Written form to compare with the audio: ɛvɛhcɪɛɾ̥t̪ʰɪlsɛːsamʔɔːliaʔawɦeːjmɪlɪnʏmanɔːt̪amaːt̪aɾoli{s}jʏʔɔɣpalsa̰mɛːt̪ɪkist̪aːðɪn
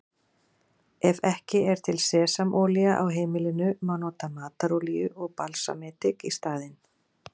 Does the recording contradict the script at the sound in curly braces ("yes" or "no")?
yes